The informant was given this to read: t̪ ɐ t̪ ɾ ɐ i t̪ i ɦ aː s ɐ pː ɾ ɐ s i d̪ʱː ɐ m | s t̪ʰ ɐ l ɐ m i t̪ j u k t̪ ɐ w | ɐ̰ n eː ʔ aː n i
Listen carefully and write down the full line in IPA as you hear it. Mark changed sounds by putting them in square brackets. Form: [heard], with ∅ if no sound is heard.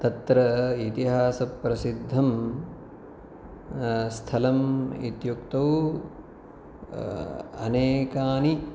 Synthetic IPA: t̪ ɐ t̪ ɾ ɐ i t̪ i ɦ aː s ɐ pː ɾ ɐ s i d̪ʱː ɐ m | s t̪ʰ ɐ l ɐ m i t̪ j u k t̪ ɐ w | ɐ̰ n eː [k] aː n i